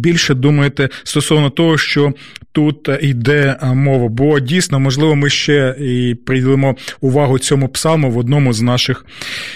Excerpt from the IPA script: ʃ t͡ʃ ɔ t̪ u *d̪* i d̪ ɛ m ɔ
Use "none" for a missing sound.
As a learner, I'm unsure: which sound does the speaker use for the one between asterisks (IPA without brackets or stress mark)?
t̪